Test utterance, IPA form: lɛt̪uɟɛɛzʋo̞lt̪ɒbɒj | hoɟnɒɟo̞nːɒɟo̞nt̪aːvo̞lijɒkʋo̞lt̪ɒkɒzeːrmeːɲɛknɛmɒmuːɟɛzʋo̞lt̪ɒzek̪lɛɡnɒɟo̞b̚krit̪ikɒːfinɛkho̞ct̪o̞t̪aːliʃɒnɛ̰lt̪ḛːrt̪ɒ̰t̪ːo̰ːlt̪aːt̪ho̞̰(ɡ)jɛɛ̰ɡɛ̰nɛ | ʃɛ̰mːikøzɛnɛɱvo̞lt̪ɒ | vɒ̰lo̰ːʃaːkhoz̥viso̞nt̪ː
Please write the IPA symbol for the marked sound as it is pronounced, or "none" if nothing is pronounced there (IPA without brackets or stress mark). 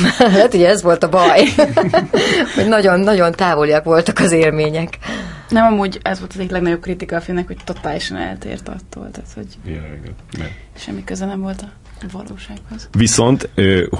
ɟ